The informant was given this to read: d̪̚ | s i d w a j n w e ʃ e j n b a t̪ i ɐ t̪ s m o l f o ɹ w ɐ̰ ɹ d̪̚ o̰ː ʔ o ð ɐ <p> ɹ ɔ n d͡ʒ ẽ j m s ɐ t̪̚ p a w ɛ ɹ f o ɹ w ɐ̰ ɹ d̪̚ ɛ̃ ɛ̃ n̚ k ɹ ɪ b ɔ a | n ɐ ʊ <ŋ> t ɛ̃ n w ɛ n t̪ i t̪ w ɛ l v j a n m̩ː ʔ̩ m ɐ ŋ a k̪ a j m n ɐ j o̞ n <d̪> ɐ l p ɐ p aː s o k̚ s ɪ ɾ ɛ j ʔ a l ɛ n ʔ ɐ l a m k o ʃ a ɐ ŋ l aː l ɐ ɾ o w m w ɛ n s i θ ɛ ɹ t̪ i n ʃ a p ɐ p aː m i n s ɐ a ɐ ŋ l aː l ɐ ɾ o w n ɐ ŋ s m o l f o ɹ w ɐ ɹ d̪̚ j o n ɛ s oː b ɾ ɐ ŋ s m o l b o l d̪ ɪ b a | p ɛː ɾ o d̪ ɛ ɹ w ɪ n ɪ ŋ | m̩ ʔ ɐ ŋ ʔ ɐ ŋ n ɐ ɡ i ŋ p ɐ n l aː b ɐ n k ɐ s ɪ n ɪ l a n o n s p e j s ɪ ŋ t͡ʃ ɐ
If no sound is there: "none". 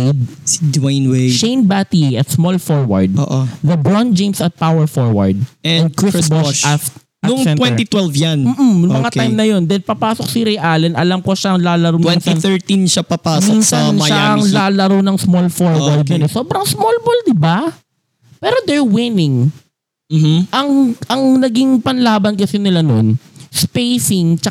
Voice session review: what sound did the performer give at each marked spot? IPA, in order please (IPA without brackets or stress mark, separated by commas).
b, ŋ, d̪